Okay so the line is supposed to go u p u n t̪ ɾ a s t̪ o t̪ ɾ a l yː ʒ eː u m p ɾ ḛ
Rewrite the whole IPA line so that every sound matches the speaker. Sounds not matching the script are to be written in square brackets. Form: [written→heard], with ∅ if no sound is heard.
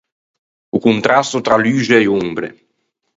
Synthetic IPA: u [p→k] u n t̪ ɾ a s t̪ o t̪ ɾ a l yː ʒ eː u m [p→b] ɾ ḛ